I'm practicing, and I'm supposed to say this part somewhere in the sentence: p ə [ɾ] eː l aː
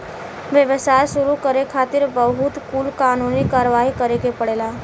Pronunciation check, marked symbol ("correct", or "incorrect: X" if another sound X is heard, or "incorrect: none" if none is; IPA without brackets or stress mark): incorrect: ɽ